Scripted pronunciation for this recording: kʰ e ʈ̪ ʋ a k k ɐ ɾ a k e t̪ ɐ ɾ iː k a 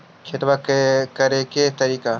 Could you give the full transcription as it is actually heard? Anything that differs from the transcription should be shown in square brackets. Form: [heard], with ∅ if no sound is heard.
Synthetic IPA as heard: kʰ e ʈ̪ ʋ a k k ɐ ɾ [e] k e t̪ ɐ ɾ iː k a